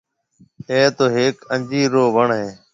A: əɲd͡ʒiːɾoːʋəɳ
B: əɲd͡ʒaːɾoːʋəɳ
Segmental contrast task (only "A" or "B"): A